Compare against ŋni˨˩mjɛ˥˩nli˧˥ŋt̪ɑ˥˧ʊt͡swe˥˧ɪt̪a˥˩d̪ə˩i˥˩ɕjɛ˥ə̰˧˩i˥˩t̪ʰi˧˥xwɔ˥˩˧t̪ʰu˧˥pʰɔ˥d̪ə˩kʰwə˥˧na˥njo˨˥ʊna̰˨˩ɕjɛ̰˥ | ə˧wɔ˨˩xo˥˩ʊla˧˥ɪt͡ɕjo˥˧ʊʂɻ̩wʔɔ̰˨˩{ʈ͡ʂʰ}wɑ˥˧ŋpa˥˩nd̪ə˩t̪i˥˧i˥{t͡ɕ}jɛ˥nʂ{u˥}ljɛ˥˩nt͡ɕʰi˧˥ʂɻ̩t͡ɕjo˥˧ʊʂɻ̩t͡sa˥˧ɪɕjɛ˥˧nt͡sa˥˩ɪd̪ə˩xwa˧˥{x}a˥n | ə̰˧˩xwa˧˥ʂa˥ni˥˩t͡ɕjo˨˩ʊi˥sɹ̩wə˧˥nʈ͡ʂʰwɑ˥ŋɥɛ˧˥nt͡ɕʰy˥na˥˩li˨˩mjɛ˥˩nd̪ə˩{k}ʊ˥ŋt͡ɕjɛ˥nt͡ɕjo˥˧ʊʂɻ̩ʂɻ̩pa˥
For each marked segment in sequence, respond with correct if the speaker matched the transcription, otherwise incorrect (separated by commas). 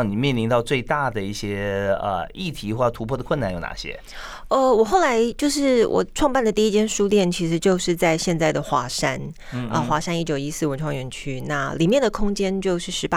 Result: correct, correct, correct, incorrect, incorrect